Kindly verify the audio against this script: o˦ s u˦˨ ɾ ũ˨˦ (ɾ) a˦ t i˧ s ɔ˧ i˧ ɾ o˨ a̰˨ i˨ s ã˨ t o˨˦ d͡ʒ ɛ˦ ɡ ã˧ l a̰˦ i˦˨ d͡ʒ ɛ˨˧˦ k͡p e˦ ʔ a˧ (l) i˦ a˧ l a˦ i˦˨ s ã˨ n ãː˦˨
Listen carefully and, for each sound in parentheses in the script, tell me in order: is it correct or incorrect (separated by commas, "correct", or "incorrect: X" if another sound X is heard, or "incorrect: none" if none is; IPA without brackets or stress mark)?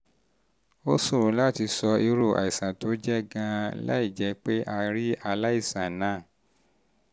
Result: incorrect: l, incorrect: ɾ